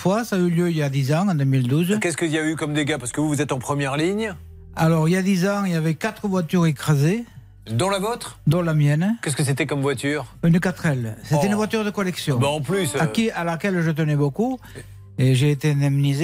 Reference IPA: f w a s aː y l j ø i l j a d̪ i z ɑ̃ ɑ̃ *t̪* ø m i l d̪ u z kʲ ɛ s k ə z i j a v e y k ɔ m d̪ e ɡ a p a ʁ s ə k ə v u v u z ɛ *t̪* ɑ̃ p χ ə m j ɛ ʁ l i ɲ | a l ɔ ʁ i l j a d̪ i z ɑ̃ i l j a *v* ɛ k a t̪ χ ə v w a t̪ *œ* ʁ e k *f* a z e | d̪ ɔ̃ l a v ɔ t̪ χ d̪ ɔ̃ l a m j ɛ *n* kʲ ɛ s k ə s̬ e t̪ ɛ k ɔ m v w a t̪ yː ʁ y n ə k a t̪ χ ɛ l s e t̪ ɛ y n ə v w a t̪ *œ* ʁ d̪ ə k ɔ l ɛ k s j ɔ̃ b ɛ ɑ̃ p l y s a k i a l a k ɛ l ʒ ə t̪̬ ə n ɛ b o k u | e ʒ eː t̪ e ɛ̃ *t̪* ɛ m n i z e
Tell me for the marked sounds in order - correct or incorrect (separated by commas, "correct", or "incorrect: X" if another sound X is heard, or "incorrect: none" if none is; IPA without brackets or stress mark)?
incorrect: d̪, correct, correct, incorrect: y, incorrect: χ, correct, incorrect: y, incorrect: d̪